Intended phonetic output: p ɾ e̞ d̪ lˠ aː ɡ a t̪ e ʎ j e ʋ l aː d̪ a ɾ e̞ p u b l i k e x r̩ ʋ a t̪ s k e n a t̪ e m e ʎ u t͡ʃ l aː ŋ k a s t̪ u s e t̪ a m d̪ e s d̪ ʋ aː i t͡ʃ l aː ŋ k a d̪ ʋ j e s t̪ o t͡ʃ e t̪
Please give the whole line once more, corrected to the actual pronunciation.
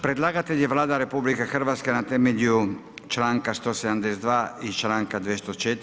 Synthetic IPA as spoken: p ɾ e̞ d̪ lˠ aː ɡ a t̪ e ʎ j e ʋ l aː d̪ a ɾ e̞ p u b l i k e x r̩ ʋ a t̪ s k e n a t̪ e m e ʎ u t͡ʃ l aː ŋ k a s t̪ o s e d̪ a m d̪ e s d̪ ʋ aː i t͡ʃ l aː ŋ k a d̪ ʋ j e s t̪ o t͡ʃ e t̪